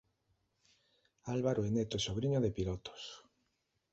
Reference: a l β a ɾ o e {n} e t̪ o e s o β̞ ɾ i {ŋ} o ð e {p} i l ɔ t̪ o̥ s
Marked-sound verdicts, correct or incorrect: correct, incorrect: ɲ, correct

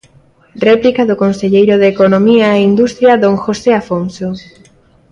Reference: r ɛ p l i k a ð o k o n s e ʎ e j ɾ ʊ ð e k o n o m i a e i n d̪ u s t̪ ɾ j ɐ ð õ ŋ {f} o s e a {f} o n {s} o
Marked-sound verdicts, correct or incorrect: incorrect: x, correct, correct

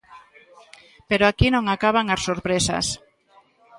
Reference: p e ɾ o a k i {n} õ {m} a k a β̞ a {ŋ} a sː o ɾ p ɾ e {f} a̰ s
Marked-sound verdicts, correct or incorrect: correct, incorrect: ŋ, correct, incorrect: s

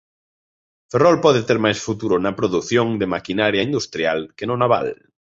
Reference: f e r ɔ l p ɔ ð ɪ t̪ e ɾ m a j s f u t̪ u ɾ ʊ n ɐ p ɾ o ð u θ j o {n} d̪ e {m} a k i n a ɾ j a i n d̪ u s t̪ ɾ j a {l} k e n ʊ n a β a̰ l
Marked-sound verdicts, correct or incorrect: incorrect: ŋ, correct, correct

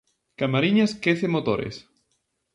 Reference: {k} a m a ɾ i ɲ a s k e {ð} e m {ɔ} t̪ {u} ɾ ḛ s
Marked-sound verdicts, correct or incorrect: correct, incorrect: θ, incorrect: o, incorrect: o

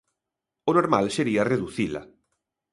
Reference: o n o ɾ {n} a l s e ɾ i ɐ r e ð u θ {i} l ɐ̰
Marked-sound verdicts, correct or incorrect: incorrect: m, correct

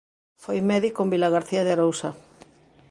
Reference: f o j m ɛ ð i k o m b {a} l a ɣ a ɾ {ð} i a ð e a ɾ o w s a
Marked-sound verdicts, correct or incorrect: incorrect: i, incorrect: θ

